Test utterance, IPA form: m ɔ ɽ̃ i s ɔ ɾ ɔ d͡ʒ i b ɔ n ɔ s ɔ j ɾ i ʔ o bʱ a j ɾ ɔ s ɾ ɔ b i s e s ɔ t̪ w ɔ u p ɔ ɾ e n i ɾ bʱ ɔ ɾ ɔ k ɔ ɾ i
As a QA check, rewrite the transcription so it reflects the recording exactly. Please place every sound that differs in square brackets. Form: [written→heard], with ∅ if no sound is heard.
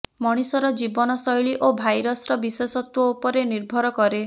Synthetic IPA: m ɔ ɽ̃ i s ɔ ɾ ɔ d͡ʒ i b ɔ n ɔ s ɔ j [ɾ→ɭ] i ʔ o bʱ a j ɾ ɔ s ɾ ɔ b i s e s ɔ t̪ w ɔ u p ɔ ɾ e n i ɾ bʱ ɔ ɾ ɔ k ɔ ɾ [i→e]